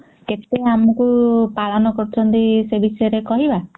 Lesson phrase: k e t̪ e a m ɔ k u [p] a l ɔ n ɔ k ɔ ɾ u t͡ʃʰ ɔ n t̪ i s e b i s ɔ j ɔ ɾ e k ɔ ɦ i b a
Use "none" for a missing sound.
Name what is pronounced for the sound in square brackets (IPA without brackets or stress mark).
p